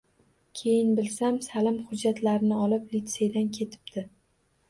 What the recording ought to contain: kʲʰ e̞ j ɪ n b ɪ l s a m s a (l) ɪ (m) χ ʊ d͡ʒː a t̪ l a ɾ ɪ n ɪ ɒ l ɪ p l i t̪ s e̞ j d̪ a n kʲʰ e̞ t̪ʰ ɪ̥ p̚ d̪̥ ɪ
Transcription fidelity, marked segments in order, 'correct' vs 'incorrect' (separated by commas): correct, correct